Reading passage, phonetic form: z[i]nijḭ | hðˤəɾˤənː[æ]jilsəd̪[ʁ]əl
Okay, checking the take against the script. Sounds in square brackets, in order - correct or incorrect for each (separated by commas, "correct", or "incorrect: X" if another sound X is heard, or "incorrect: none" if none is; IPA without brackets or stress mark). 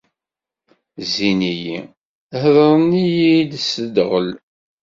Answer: correct, incorrect: i, correct